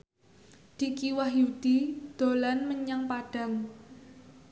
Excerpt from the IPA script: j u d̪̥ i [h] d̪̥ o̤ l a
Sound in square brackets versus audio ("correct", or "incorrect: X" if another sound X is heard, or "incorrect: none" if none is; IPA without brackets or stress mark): incorrect: none